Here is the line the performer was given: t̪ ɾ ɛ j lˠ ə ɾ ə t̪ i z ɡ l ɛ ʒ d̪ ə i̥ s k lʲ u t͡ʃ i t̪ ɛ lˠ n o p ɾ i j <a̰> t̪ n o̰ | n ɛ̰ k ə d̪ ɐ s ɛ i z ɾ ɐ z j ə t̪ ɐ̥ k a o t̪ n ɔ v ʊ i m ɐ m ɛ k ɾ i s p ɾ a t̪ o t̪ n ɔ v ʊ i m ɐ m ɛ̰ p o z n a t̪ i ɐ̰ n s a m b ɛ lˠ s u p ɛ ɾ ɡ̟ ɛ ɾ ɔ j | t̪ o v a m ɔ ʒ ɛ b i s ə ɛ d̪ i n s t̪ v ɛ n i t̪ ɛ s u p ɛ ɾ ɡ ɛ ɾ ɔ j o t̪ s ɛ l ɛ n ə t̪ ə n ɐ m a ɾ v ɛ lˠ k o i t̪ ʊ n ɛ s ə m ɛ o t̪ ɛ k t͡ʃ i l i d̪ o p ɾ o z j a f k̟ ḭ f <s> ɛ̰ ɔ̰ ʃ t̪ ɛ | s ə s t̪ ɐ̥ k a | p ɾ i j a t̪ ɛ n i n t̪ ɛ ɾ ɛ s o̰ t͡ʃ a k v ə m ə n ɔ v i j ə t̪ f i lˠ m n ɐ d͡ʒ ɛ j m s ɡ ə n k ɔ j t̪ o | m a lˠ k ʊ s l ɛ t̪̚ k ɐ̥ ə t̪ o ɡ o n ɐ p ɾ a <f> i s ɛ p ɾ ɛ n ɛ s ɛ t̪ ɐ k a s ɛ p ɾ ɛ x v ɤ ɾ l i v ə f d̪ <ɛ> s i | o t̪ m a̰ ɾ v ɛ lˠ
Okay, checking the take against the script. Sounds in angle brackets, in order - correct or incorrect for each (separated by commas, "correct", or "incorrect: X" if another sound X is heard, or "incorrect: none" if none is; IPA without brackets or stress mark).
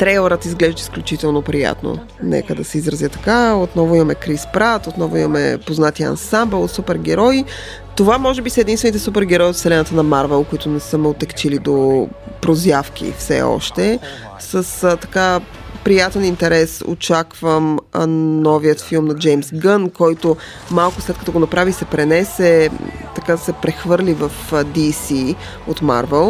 correct, correct, incorrect: v, incorrect: i